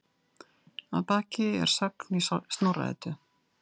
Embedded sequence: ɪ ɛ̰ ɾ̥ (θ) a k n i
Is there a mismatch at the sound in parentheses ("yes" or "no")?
yes